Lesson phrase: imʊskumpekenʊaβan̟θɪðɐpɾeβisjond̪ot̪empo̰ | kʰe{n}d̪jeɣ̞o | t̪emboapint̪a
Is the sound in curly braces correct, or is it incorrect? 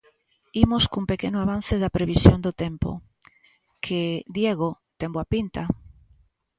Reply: incorrect